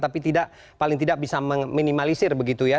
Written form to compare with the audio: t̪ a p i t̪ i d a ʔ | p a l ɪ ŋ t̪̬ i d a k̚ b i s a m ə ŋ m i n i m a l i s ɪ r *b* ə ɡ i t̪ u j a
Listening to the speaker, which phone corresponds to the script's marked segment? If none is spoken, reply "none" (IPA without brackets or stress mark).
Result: b